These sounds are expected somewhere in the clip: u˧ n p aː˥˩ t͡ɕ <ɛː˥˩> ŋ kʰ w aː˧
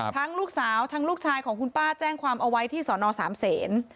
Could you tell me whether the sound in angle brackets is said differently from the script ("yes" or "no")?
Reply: no